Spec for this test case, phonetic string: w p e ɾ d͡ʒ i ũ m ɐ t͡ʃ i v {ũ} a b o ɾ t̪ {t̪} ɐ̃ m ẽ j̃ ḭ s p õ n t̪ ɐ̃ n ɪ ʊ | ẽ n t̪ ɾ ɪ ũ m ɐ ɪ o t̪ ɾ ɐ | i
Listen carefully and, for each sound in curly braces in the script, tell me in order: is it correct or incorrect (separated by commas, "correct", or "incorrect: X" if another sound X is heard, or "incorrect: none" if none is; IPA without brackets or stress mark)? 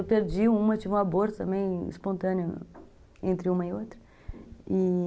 correct, correct